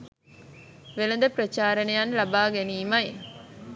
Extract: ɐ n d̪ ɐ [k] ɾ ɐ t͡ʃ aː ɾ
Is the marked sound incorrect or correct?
incorrect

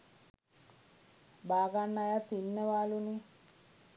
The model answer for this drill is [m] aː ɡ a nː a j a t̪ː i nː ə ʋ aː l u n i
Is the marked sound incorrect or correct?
incorrect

